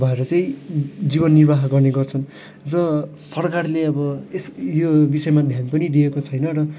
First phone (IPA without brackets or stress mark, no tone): bʱ